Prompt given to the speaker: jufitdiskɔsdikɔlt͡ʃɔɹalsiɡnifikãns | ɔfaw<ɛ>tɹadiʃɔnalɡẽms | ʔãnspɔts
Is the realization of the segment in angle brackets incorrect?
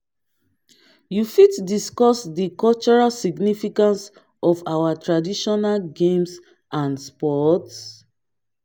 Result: yes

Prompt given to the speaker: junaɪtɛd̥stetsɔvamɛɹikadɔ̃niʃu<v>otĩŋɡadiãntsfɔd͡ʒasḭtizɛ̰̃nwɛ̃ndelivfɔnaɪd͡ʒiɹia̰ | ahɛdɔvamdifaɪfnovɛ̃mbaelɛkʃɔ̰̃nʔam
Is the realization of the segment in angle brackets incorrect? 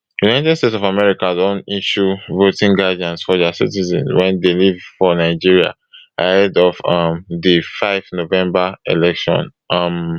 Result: no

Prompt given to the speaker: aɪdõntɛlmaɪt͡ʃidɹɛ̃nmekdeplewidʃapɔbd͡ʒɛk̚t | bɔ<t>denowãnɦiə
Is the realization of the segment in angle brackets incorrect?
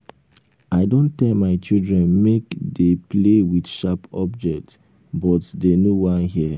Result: no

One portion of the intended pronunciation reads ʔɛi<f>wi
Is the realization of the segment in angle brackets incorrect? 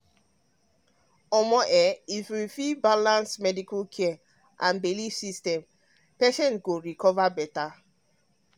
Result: no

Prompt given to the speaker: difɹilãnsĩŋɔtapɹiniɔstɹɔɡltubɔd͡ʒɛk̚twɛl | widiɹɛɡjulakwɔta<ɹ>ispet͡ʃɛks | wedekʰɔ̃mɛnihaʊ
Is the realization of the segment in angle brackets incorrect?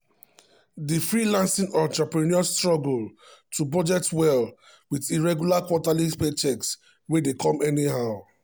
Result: yes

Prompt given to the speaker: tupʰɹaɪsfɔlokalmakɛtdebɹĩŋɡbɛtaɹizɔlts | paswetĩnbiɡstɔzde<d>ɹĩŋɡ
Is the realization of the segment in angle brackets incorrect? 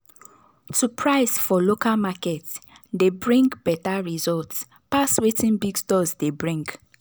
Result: yes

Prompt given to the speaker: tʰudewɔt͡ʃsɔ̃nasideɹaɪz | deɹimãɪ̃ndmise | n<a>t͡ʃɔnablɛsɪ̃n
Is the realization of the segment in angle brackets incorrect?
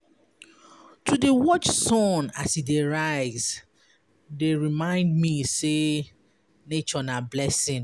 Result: yes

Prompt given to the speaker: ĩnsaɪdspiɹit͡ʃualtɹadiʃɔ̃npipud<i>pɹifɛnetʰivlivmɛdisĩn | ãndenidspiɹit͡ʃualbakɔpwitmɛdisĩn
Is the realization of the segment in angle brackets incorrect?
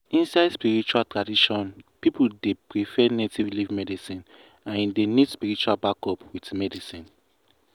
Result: yes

